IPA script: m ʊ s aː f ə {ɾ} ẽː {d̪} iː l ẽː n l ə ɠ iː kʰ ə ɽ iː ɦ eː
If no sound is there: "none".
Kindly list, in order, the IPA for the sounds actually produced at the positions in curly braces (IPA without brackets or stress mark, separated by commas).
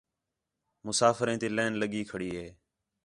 ɾ, t̪